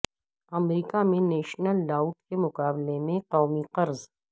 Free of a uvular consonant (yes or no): no